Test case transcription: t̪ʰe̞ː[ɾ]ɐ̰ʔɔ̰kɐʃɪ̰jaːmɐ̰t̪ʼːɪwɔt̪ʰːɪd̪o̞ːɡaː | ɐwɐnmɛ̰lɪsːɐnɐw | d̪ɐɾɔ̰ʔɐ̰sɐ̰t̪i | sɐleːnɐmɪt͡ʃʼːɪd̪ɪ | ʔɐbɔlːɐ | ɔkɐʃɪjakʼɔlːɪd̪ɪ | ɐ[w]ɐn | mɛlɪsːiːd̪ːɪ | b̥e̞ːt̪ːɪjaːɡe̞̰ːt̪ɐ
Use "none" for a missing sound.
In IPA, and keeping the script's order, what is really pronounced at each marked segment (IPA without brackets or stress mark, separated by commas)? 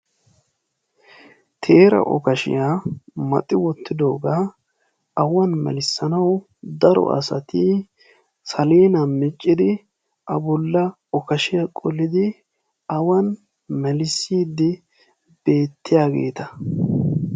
ɾ, w